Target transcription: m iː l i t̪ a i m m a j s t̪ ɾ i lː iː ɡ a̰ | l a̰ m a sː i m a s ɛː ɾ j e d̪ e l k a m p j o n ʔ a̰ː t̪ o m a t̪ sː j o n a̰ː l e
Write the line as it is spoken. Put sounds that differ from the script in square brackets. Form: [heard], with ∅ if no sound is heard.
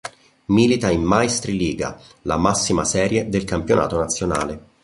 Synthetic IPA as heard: m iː l i t̪ a i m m a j s t̪ ɾ i [l] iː ɡ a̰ | l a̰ m a sː i m a s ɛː ɾ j e d̪ e l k a m p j o n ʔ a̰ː t̪ o [n] a t̪ sː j o n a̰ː l e